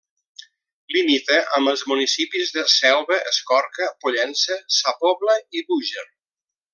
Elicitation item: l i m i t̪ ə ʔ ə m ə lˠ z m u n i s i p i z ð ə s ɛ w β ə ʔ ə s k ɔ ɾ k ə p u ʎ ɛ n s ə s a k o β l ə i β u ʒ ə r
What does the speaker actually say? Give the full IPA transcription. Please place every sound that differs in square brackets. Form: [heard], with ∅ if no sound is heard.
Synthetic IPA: l i m i t̪ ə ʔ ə m ə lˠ z m u n i s i p i z ð ə s ɛ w β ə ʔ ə s k ɔ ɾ k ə p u ʎ ɛ n s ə s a [p] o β l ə i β u ʒ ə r